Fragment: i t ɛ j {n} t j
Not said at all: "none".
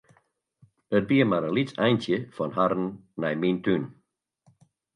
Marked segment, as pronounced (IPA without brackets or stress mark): n